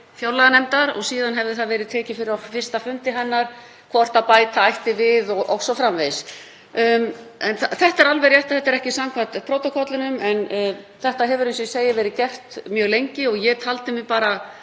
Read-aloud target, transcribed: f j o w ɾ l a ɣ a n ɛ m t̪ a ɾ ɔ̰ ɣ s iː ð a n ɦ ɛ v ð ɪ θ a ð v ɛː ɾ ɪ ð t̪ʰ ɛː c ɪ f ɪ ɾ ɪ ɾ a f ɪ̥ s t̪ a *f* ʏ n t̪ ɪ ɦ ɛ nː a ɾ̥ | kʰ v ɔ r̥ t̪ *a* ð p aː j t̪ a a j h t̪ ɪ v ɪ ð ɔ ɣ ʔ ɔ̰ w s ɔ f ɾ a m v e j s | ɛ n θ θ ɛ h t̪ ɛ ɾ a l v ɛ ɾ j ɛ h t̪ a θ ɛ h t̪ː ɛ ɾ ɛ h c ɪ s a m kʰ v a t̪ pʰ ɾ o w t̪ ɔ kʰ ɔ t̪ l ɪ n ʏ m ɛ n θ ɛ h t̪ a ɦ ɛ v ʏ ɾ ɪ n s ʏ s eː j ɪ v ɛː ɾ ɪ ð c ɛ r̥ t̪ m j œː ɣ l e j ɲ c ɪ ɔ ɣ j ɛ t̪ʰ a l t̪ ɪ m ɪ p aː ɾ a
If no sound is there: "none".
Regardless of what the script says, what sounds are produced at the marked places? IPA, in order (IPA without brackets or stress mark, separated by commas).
f, a